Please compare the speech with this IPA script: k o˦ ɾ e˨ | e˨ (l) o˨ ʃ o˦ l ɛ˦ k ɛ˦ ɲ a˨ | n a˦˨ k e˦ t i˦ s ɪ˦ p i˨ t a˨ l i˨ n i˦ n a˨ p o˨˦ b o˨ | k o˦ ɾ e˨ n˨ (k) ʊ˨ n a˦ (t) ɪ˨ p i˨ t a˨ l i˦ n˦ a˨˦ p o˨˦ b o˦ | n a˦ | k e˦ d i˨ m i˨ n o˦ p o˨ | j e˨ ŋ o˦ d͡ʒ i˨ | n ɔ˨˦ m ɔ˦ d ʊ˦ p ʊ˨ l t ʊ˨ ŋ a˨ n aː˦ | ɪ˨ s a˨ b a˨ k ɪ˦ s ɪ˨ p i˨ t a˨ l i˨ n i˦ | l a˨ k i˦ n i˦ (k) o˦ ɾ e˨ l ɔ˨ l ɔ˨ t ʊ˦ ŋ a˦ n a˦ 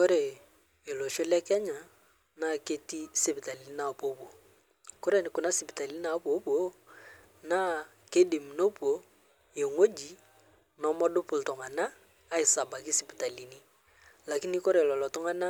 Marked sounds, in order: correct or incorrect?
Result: correct, correct, incorrect: s, correct

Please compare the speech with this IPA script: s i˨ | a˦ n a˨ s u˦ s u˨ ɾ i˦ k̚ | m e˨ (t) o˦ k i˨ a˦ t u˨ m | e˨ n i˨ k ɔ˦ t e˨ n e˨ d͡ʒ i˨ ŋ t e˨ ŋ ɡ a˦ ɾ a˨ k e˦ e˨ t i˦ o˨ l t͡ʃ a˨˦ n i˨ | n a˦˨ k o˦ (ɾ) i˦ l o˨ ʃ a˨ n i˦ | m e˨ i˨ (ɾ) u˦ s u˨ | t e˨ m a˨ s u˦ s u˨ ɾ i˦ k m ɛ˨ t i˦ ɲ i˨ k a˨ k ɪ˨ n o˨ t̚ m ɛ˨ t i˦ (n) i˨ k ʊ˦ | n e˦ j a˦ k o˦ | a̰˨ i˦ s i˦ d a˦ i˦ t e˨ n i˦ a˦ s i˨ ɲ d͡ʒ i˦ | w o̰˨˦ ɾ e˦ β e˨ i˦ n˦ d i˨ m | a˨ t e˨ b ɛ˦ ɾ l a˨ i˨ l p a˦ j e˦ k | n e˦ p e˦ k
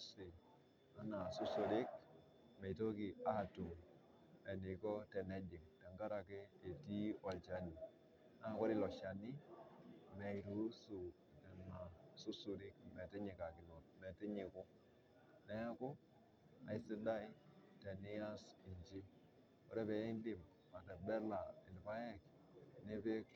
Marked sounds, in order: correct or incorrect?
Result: correct, correct, correct, incorrect: ɲ

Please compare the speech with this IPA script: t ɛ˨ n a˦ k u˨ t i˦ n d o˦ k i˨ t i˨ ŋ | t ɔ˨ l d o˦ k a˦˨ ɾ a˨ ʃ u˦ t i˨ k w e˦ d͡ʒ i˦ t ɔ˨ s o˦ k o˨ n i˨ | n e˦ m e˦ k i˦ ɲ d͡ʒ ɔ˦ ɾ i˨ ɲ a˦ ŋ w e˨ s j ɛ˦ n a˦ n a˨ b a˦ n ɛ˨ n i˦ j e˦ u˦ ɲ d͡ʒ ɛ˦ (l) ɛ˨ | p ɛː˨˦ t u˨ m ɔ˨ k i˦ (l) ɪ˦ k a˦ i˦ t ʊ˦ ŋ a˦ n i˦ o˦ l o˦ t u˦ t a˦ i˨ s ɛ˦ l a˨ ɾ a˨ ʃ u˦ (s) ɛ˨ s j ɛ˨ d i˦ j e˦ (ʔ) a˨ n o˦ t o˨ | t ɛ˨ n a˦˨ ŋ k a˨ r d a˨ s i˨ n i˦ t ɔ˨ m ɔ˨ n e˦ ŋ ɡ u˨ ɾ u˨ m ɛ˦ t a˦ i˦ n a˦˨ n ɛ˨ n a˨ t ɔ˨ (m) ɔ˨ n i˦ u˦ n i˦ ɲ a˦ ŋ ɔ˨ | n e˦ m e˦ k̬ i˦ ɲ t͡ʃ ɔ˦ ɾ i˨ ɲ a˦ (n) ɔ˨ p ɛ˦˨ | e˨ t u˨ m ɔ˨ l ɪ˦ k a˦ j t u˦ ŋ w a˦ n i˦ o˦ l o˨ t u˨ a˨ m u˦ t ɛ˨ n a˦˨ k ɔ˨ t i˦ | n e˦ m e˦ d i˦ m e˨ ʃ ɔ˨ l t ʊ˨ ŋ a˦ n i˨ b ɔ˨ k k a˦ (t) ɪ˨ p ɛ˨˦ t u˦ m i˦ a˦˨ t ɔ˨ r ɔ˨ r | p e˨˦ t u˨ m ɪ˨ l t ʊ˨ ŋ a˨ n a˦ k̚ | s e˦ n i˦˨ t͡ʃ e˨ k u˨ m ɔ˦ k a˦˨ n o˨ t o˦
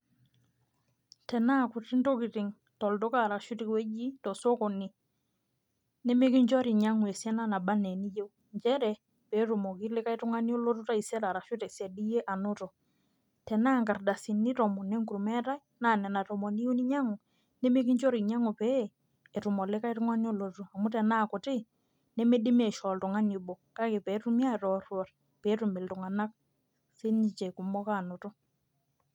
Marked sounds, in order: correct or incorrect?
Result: incorrect: ɾ, correct, incorrect: t, correct, correct, incorrect: ŋ, incorrect: k

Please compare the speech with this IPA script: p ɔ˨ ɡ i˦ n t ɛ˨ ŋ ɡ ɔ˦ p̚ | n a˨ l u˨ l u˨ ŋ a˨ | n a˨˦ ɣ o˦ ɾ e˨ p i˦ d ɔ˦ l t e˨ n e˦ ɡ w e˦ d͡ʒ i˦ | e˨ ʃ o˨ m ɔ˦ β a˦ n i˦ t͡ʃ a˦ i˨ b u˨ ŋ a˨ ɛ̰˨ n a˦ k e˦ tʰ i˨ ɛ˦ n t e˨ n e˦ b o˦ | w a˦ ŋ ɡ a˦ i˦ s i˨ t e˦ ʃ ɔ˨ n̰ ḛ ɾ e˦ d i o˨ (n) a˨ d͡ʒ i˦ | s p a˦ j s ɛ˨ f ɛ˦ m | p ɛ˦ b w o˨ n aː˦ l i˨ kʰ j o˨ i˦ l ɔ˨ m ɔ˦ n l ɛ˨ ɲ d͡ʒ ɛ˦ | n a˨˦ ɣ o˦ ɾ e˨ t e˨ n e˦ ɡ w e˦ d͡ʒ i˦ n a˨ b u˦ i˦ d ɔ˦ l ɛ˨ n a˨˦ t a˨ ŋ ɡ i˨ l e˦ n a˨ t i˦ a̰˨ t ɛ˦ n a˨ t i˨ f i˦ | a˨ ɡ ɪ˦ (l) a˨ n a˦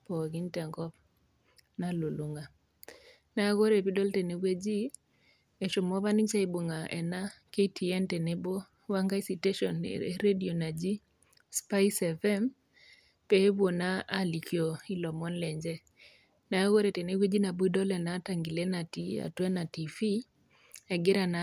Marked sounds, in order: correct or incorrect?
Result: correct, incorrect: ɾ

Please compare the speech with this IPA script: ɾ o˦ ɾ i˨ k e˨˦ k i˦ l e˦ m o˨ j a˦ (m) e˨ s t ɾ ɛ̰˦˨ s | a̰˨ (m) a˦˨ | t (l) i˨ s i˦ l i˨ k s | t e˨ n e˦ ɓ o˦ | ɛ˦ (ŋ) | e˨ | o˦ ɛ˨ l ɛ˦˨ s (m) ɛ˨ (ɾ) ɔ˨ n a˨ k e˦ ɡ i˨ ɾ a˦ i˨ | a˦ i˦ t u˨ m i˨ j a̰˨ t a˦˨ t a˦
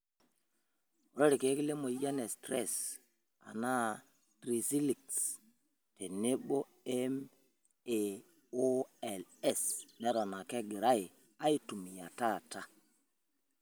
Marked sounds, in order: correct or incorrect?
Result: incorrect: n, incorrect: n, incorrect: ɾ, incorrect: m, incorrect: n, correct

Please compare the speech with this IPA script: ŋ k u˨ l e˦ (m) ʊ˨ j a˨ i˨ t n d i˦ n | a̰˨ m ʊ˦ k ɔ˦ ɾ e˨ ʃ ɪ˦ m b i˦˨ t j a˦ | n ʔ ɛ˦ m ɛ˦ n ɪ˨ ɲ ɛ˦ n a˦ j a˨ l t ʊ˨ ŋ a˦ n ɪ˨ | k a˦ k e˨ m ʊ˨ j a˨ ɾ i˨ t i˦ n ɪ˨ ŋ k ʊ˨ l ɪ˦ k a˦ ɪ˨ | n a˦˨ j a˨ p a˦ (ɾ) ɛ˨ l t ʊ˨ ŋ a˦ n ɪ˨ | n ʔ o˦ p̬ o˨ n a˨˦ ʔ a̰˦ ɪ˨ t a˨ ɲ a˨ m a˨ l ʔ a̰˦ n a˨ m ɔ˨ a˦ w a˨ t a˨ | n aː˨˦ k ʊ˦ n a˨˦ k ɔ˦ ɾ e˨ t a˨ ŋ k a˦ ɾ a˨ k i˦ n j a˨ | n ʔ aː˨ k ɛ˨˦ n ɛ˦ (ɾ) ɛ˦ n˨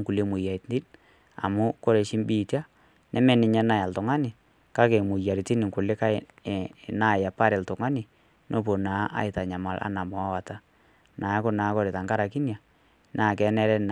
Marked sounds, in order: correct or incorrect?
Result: correct, correct, correct

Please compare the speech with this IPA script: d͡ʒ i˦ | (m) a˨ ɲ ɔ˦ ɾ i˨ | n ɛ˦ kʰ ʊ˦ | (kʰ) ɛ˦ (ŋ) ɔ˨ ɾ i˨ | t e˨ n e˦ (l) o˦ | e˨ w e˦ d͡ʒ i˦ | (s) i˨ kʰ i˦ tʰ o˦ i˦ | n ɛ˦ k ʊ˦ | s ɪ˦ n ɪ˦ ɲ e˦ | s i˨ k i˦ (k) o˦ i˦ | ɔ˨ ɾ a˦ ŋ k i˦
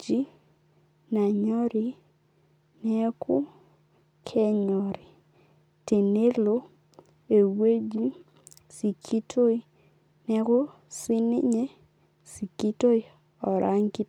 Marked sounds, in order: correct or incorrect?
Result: incorrect: n, correct, incorrect: ɲ, correct, correct, incorrect: t

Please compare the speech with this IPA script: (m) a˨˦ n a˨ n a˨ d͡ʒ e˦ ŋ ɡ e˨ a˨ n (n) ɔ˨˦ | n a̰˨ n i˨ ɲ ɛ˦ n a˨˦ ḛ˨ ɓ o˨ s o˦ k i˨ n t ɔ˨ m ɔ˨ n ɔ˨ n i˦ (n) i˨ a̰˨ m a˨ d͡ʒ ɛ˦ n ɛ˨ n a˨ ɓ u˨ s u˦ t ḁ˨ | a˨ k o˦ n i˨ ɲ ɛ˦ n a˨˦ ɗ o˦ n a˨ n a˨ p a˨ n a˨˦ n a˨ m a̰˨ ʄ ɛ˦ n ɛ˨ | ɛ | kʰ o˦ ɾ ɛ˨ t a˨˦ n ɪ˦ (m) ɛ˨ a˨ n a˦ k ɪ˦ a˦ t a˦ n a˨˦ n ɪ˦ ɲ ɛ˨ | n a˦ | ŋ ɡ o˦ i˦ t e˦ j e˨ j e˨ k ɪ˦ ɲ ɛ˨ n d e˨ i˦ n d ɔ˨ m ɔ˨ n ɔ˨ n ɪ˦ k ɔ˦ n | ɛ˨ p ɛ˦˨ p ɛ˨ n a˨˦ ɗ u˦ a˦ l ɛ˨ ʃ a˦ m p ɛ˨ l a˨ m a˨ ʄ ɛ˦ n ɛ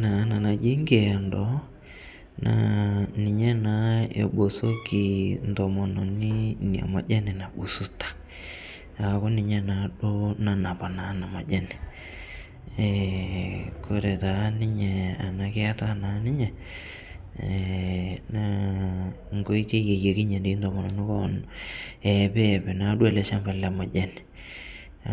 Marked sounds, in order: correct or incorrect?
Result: incorrect: n, incorrect: d, correct, incorrect: ɲ

